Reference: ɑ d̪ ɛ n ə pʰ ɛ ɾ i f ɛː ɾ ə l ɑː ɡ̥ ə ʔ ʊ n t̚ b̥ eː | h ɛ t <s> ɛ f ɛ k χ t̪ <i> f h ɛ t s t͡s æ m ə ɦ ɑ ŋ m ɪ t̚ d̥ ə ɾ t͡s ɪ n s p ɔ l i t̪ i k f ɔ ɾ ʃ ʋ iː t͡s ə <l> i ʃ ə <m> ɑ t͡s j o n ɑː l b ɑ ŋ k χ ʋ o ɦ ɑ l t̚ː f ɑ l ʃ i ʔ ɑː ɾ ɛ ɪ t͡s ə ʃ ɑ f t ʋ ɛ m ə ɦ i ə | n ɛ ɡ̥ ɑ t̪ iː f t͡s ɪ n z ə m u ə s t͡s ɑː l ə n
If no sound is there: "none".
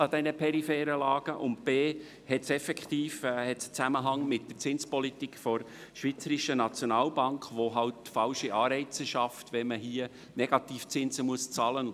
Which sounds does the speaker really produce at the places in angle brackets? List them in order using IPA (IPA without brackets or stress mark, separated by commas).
s, iː, ɾ, n